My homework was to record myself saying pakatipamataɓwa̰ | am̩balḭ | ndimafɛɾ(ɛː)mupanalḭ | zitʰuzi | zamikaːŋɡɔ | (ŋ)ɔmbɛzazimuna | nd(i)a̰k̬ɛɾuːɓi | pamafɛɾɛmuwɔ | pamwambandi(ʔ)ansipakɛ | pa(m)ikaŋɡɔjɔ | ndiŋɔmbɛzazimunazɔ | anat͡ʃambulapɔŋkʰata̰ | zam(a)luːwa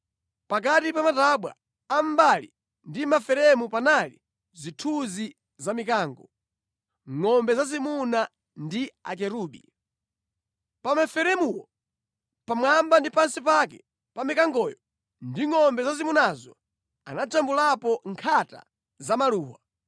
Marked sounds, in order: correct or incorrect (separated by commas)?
incorrect, correct, correct, incorrect, correct, correct